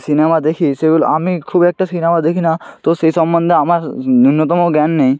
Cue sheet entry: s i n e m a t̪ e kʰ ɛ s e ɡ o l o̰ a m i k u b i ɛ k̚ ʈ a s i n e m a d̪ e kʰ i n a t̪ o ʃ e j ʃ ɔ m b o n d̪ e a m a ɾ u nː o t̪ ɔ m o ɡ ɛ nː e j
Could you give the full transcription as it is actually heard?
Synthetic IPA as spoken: s i n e m a d̪ e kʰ i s e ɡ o l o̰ a m i kʰ u b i ɛ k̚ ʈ a s i n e m a d̪ e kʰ i n a t̪ o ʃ e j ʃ ɔ m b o n d̪ e a m a ɾ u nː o t̪ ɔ m o ɡ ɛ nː e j